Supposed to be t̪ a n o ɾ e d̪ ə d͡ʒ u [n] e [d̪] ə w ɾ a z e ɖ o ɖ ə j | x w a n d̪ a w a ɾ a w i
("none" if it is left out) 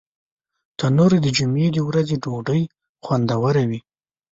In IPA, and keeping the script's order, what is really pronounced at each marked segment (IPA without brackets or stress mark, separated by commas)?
m, d̪